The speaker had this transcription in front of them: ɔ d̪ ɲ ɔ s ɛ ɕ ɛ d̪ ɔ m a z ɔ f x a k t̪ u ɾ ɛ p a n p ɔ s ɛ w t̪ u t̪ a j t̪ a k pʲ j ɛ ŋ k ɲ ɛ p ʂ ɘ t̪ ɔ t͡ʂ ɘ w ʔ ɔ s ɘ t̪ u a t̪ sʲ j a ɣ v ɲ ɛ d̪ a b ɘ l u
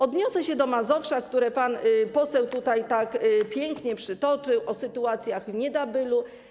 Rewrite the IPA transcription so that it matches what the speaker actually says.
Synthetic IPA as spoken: ɔ d̪ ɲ ɔ s ɛ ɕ ɛ d̪ ɔ m a z ɔ f ʂ a k t̪ u ɾ ɛ p a n p ɔ s ɛ w t̪ u t̪ a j t̪ a k pʲ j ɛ ŋ k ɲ ɛ p ʂ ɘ t̪ ɔ t͡ʂ ɘ w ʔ ɔ s ɘ t̪ u a t̪ sʲ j a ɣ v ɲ ɛ d̪ a b ɘ l u

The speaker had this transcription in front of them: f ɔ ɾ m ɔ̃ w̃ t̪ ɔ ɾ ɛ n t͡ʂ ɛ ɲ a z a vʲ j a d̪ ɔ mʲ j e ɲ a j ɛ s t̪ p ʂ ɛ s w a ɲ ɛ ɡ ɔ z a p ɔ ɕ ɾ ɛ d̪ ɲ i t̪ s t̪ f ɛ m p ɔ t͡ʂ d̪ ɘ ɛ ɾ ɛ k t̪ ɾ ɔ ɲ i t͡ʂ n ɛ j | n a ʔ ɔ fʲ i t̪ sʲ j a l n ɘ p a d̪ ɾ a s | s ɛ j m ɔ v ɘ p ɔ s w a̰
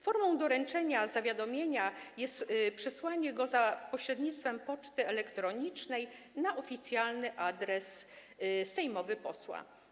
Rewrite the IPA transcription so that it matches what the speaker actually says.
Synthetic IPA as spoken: f ɔ ɾ m ɔ̃ w̃ d̪ ɔ ɾ ɛ n t͡ʂ ɛ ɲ a z a vʲ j a d̪ ɔ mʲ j e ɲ a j ɛ s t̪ p ʂ ɛ s w a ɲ ɛ ɡ ɔ z a p ɔ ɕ ɾ ɛ d̪ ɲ i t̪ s t̪ f ɛ m p ɔ t͡ʂ t̪ ɘ ɛ l ɛ k t̪ ɾ ɔ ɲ i t͡ʂ n ɛ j | n a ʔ ɔ fʲ i t̪ sʲ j a l n ɘ ʔ a d̪ ɾ ɛ s | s ɛ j m ɔ v ɘ p ɔ s w a̰

